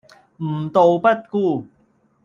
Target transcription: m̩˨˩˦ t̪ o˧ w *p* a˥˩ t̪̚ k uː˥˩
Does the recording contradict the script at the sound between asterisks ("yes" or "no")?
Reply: no